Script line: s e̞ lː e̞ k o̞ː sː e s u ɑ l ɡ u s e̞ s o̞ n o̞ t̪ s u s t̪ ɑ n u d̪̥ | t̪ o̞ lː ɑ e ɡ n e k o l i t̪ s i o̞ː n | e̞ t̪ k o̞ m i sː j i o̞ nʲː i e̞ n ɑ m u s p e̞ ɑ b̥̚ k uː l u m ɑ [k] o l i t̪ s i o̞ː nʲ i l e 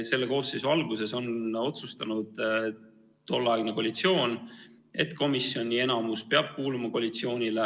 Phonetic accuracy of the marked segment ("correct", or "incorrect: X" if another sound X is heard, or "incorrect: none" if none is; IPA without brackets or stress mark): correct